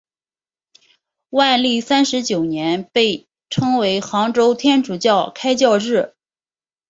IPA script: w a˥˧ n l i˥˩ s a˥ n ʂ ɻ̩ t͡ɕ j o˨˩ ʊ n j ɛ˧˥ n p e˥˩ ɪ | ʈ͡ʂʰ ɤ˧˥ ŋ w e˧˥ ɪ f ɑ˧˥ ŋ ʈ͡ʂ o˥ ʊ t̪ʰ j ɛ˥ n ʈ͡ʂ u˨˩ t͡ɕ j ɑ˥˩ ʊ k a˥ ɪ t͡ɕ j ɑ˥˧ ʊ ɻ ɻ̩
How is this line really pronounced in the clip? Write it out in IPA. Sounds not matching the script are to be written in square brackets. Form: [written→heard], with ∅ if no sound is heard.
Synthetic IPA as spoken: w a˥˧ n l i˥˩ s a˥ n ʂ ɻ̩ t͡ɕ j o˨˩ ʊ n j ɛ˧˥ n p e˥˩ ɪ | ʈ͡ʂʰ [ɤ˧˥→ɤ˥] ŋ w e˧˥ ɪ [f→x] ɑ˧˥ ŋ ʈ͡ʂ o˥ ʊ t̪ʰ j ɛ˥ n ʈ͡ʂ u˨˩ t͡ɕ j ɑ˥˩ ʊ [k→kʰ] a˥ ɪ t͡ɕ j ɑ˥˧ ʊ ɻ ɻ̩